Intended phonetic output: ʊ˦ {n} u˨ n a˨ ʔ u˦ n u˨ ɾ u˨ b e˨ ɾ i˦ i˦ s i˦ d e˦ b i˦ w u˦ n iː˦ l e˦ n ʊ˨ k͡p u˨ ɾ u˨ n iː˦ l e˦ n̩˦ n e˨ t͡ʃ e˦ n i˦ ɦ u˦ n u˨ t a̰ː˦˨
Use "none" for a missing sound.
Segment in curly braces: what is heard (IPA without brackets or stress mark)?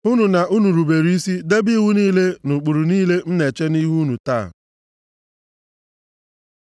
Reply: n